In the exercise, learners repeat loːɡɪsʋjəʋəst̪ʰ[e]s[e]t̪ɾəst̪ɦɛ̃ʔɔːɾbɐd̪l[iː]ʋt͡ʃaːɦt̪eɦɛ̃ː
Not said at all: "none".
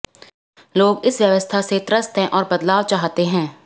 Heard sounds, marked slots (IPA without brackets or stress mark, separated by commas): a, e, aː